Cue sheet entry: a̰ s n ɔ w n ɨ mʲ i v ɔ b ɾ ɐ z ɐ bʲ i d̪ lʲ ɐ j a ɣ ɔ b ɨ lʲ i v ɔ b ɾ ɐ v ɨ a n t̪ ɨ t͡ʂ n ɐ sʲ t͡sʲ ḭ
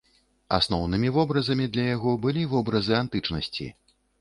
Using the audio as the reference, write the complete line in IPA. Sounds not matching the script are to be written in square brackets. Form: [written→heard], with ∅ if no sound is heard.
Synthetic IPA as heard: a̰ s n ɔ w n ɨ mʲ i v ɔ b ɾ ɐ z ɐ [bʲ→mʲ] i d̪ lʲ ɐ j a ɣ ɔ b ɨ lʲ i v ɔ b ɾ ɐ [v→z] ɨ a n t̪ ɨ t͡ʂ n ɐ sʲ t͡sʲ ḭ